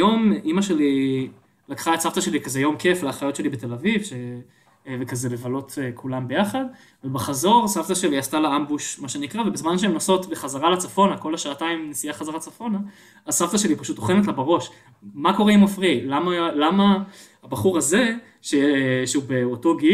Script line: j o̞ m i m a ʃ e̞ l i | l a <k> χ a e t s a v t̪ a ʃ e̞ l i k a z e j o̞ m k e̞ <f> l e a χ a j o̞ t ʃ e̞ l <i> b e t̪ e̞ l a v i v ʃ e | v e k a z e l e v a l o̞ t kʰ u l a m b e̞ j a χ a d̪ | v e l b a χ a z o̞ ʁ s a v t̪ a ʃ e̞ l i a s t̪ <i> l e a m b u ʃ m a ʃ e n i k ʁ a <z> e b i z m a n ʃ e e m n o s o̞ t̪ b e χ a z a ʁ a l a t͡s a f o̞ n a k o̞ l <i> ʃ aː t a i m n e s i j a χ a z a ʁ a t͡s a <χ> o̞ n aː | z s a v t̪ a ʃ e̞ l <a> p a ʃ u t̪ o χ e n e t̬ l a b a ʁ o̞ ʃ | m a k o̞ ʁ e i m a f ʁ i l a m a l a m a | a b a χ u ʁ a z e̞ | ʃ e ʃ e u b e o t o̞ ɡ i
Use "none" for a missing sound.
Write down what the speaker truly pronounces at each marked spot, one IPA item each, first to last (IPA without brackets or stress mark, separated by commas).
k, f, i, a, v, a, f, i